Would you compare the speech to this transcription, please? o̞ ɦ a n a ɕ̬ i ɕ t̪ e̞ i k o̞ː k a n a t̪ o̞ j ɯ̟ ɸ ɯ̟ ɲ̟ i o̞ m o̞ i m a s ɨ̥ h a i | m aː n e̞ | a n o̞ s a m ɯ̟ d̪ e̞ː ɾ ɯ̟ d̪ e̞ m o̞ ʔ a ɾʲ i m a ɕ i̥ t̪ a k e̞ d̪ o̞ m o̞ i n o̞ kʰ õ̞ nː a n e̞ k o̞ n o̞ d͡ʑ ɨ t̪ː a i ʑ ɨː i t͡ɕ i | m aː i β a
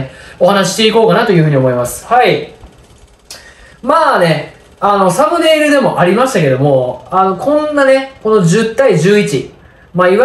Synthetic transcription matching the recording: o̞ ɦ a n a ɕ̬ i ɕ t̪ e̞ i k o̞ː k a n a t̪ o̞ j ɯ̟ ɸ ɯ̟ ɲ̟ i o̞ m o̞ i m a s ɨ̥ h a i | m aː n e̞ | a n o̞ s a m ɯ̟ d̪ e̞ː ɾ ɯ̟ d̪ e̞ m o̞ ʔ a ɾʲ i m a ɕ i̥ t̪ a k e̞ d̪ o̞ m o̞ a n o̞ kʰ õ̞ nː a n e̞ k o̞ n o̞ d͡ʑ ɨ t̪ː a i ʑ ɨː i t͡ɕ i | m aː i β a